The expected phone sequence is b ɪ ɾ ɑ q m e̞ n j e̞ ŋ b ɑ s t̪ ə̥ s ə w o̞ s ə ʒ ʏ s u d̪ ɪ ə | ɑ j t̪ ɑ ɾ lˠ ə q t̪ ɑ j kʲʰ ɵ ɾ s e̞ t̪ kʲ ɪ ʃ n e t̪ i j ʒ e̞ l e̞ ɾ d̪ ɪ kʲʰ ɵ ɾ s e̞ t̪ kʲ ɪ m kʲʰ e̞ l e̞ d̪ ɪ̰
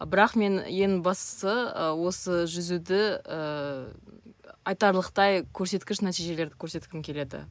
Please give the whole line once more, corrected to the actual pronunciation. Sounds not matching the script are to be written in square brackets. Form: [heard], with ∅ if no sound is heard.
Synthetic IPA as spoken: b ɪ ɾ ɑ q m e̞ n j e̞ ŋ b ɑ s t̪ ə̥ s ə w o̞ s ə ʒ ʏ [z] u d̪ ɪ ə | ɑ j t̪ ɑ ɾ lˠ ə q t̪ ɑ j kʲʰ ɵ ɾ s e̞ t̪ kʲ ɪ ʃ n [æ] t̪ i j ʒ e̞ l e̞ ɾ d̪ ɪ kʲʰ ɵ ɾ s e̞ t̪ kʲ ɪ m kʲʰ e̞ l e̞ d̪ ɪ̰